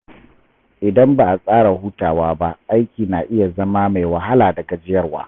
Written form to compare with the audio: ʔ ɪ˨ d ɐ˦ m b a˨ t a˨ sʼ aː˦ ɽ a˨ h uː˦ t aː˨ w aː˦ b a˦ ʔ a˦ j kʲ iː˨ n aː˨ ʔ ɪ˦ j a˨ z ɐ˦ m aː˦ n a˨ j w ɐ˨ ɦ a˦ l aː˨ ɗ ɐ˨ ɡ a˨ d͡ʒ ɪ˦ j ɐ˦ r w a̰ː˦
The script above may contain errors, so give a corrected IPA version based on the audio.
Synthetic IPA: ʔ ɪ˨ d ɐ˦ m b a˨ ʔ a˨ sʼ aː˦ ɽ a˨ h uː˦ t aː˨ w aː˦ b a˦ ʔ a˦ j kʲ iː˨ n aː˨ ʔ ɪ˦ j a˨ z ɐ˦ m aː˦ m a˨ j w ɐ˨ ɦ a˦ l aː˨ d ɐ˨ ɡ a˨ d͡ʒ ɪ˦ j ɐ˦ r w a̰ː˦